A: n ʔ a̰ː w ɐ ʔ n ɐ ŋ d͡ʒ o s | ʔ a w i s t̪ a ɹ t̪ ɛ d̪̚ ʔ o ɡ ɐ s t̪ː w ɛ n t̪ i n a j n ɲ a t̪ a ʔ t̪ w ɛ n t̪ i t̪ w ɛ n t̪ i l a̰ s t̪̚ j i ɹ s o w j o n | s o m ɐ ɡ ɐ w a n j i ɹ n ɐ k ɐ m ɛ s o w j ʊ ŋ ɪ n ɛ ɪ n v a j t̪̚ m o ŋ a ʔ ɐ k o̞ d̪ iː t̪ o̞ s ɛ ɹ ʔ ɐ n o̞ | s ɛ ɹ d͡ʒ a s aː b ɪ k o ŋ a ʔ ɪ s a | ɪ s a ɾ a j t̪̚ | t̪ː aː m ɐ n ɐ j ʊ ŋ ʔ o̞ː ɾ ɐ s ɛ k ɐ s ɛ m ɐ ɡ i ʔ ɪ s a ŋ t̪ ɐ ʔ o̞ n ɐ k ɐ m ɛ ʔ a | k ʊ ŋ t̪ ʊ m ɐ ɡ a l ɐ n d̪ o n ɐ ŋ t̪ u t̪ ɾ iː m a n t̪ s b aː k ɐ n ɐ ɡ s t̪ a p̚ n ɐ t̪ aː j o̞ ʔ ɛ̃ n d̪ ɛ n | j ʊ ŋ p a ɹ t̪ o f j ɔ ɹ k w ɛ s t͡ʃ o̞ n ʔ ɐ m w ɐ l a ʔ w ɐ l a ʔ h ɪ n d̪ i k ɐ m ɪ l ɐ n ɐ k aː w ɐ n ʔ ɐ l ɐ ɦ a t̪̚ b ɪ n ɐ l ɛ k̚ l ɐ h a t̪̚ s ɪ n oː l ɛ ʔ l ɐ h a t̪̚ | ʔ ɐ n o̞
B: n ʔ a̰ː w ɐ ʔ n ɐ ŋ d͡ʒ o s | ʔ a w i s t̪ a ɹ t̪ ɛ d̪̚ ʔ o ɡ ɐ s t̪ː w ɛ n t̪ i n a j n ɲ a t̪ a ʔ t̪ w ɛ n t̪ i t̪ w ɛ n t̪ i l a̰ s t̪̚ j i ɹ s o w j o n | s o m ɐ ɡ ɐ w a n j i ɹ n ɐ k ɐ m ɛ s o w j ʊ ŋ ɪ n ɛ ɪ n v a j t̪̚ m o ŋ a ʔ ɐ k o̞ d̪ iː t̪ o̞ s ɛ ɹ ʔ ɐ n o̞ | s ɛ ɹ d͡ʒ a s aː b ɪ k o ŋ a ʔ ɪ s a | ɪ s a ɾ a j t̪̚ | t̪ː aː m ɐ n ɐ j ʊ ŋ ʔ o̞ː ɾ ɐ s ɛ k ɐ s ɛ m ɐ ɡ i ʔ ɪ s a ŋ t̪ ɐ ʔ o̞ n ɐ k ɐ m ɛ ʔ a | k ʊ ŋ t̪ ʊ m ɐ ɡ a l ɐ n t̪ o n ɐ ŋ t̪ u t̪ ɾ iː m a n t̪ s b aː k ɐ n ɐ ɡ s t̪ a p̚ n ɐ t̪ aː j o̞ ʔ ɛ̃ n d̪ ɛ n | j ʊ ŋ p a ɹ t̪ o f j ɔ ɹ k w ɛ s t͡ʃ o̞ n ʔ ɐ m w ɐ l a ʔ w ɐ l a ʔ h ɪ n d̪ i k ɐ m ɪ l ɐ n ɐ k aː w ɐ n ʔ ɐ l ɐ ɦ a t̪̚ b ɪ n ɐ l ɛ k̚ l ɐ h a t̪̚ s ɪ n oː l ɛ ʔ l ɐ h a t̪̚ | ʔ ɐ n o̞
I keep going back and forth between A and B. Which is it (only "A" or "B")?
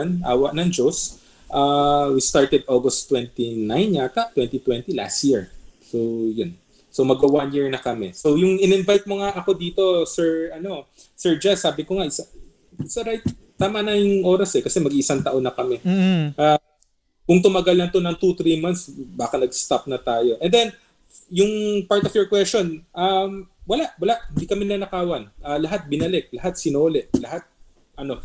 B